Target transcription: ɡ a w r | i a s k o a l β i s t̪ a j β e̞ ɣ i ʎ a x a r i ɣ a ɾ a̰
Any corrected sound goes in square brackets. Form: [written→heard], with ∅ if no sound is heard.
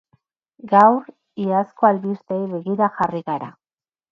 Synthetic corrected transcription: ɡ a w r | i a s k o a l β i s t̪ [a→e] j β e̞ ɣ i [ʎ→ɾ] a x a r i ɣ a ɾ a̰